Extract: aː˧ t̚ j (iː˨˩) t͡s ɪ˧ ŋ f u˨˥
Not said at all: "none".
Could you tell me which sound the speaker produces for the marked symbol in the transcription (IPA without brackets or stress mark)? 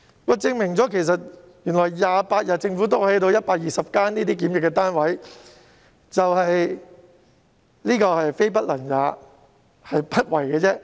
aː˨˩